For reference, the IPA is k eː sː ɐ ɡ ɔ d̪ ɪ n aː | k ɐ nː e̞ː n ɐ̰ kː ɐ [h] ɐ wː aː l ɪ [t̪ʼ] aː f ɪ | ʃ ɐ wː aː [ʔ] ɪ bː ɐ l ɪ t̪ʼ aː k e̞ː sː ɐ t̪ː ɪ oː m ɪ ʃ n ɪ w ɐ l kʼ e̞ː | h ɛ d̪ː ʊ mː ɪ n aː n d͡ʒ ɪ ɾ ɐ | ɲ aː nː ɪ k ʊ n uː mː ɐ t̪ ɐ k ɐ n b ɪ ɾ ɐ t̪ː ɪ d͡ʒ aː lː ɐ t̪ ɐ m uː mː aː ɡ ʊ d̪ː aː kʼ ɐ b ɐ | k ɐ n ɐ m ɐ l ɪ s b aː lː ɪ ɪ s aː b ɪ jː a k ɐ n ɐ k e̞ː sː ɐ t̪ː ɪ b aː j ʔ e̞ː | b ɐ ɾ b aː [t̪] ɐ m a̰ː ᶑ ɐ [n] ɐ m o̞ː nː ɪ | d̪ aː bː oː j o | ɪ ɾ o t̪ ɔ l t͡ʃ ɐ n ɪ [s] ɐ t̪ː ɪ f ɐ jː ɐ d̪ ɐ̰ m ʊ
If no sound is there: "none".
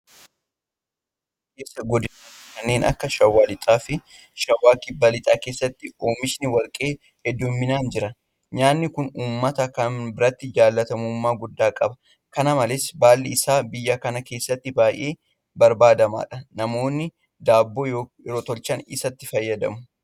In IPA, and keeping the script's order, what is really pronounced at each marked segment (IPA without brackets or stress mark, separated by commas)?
ʃ, t̪ʼ, k, d̪, n, s